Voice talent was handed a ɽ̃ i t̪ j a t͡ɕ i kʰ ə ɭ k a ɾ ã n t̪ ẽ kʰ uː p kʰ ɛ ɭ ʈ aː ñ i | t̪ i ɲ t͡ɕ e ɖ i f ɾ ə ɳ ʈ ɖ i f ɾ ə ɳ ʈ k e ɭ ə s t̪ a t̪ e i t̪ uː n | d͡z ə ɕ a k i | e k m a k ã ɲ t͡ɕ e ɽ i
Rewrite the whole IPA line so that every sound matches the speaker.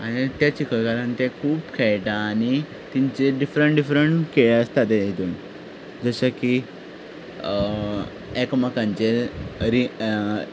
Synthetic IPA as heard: a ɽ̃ i t̪ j a t͡ɕ i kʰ ə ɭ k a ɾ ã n t̪ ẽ kʰ uː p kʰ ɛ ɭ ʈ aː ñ i | t̪ i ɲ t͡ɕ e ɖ i f ɾ ə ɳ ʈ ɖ i f ɾ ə ɳ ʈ k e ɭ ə s t̪ a t̪ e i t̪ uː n | d͡z ə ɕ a k i | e k m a k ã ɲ t͡ɕ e ɾ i